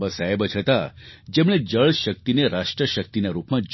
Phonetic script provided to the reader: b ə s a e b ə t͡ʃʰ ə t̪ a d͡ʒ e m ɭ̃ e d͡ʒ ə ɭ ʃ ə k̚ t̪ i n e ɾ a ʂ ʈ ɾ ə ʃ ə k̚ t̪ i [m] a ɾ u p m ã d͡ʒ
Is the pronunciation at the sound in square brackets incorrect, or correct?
incorrect